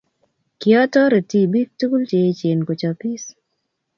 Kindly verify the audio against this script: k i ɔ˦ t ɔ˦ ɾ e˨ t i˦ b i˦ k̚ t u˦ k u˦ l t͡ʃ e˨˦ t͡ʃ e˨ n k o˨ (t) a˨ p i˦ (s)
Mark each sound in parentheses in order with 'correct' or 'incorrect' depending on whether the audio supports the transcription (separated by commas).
incorrect, correct